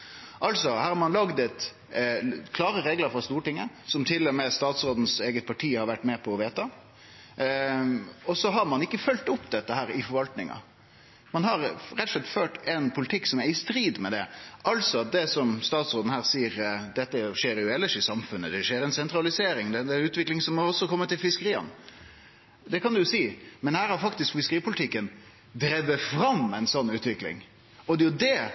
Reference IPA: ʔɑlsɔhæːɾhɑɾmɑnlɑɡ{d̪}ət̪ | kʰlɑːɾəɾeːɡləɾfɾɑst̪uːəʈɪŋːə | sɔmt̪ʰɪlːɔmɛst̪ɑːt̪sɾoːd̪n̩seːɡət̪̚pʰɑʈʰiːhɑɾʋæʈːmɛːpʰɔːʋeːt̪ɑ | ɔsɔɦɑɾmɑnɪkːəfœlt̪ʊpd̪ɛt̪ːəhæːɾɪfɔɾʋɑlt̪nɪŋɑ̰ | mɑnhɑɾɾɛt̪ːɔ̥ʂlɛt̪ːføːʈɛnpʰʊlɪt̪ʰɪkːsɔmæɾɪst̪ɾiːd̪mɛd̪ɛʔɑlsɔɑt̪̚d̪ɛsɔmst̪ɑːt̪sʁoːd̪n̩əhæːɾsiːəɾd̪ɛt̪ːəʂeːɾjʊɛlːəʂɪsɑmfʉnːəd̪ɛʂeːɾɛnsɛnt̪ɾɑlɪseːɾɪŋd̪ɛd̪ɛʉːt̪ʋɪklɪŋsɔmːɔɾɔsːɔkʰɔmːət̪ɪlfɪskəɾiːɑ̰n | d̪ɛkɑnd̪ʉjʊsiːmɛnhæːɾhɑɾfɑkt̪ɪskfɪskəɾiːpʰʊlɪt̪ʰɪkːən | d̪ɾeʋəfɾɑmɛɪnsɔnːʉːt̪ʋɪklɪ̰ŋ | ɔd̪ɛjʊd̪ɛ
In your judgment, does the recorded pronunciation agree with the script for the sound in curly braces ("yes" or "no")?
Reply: yes